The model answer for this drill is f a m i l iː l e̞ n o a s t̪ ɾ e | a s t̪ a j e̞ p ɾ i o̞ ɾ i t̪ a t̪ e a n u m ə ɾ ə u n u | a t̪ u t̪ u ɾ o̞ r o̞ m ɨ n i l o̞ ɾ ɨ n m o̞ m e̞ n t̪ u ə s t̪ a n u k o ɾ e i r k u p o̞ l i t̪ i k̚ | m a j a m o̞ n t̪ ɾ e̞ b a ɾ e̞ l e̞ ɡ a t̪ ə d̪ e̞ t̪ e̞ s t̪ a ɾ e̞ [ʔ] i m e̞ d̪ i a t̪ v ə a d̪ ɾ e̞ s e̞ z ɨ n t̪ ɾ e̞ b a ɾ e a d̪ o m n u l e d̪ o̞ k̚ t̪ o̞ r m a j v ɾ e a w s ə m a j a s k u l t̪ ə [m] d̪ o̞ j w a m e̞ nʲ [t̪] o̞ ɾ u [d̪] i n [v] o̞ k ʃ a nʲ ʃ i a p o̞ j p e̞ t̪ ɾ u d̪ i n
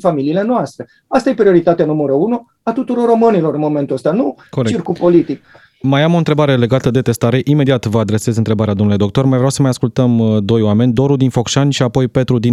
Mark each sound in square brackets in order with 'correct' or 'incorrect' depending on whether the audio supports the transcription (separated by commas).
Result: correct, correct, incorrect, correct, incorrect